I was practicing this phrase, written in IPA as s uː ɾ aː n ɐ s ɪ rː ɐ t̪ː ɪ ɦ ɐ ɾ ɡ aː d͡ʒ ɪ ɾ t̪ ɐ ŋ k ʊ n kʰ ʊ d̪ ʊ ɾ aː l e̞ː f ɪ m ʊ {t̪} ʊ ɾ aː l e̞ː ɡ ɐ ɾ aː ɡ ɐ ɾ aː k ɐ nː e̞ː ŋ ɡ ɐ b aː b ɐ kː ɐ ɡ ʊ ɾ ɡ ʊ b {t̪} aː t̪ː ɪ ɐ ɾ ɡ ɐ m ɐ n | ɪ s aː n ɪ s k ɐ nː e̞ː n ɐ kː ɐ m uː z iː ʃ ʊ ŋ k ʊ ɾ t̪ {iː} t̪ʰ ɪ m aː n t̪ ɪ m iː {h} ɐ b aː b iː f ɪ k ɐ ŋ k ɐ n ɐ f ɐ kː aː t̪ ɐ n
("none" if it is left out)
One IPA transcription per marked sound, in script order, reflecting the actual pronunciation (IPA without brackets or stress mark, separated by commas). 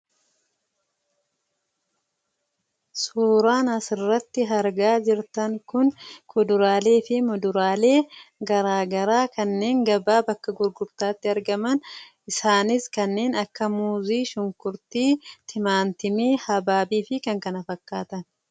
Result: d̪, t̪, iː, h